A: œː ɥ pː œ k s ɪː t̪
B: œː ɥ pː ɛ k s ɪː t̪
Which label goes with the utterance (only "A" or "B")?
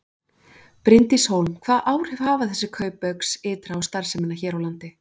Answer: A